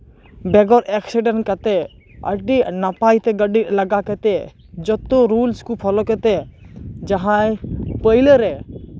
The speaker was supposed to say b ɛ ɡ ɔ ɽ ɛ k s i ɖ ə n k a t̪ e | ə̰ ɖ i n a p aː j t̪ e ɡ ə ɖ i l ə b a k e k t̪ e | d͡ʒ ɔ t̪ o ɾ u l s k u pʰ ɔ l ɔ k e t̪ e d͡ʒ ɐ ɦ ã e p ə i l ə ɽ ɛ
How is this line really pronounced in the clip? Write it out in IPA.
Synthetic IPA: b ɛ ɡ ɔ ɾ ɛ k s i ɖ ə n k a t̪ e | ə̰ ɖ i n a p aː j t̪ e ɡ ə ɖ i l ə ɡ a k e t̪ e | d͡ʒ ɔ t̪ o ɾ u l s k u pʰ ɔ l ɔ k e t̪ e d͡ʒ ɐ ɦ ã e p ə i l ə ɾ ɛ